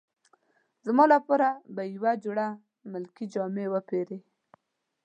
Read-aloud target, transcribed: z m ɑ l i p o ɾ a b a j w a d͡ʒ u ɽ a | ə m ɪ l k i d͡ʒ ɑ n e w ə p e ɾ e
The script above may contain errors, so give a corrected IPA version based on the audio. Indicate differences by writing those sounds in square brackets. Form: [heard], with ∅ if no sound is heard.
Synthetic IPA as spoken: z m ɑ l [a] p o ɾ a b a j w a d͡ʒ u ɽ a | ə m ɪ l k i d͡ʒ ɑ [m] e w ə p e ɾ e